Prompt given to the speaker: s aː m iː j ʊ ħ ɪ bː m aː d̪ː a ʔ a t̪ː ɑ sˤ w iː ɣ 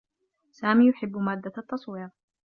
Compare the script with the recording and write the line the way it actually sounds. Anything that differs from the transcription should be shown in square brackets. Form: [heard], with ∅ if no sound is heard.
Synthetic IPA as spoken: s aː m iː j ʊ ħ ɪ bː m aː d̪ː a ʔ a t̪ː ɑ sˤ w iː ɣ

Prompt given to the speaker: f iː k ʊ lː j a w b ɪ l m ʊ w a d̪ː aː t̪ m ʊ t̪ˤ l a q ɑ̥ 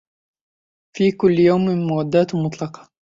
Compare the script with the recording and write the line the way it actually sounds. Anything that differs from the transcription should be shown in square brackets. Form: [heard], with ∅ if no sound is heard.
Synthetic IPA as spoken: f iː k ʊ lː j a w [m] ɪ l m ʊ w a d̪ː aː t̪ m ʊ t̪ˤ l [ɑ] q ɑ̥

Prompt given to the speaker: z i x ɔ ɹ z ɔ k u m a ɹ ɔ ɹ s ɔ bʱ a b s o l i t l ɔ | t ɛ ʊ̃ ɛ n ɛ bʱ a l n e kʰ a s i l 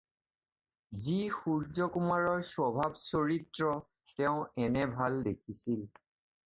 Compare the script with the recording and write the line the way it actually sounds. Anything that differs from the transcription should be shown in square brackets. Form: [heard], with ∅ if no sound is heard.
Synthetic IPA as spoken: z i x [u] ɹ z ɔ k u m a ɹ ɔ ɹ s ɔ bʱ a b s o [ɹ] i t [ɹ] ɔ | t ɛ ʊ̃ ɛ n ɛ bʱ a l [d] e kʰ [i] s i l

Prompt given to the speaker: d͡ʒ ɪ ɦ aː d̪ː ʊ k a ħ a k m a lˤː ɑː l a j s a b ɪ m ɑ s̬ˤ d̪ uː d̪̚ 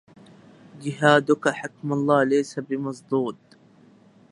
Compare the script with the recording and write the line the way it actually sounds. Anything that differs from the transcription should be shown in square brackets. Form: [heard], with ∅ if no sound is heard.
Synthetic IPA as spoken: d͡ʒ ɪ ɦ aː [d̪] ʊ k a ħ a k m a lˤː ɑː l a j s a b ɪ m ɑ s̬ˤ d̪ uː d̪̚

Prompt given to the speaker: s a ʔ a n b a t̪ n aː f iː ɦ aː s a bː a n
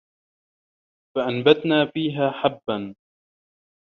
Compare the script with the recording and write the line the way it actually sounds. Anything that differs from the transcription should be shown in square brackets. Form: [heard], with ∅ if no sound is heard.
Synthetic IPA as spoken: [f] a ʔ a n b a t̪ n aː f iː ɦ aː [ħ] a bː a n

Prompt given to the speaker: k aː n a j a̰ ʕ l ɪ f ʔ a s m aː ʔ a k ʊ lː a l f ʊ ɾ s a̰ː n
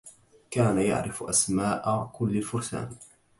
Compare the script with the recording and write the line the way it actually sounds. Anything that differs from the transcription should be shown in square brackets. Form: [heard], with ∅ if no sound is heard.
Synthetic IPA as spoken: k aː n a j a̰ ʕ [ɾ] ɪ f ʔ a s m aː ʔ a k ʊ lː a l f ʊ ɾ s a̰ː n

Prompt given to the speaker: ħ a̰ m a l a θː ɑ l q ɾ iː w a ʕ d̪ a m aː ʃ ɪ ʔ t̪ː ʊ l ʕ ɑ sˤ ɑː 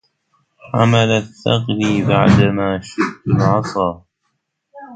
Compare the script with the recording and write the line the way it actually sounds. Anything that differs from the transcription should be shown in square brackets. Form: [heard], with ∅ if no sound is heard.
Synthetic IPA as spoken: ħ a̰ m a l a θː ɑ [∅] q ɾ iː [b] a ʕ d̪ a m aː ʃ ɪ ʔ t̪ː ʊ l ʕ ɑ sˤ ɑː

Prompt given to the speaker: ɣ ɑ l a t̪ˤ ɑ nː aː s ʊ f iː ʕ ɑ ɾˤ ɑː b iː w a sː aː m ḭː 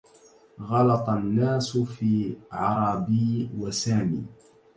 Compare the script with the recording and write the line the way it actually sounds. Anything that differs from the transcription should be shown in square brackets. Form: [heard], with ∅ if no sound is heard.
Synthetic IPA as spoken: ɣ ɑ l [ɑ] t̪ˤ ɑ nː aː s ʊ f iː ʕ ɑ ɾˤ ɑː b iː w a [s] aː m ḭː

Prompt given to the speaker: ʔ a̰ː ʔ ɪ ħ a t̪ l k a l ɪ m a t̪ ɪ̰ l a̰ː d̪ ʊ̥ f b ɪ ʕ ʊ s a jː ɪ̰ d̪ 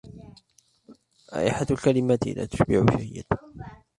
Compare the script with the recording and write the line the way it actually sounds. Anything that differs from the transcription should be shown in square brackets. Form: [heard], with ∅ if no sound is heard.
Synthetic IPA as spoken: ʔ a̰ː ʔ ɪ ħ a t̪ l k a l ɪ m a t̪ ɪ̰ l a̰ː [t̪] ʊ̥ [ʃ] b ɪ ʕ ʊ [ʃ] a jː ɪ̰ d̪

